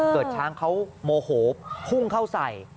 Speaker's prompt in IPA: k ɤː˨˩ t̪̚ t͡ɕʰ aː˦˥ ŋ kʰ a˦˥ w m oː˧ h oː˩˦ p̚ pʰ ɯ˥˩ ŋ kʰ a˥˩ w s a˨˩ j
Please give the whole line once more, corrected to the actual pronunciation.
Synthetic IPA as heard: k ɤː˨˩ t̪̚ t͡ɕʰ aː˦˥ ŋ kʰ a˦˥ w m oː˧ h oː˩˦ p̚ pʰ u˥˩ ŋ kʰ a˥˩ w s a˨˩ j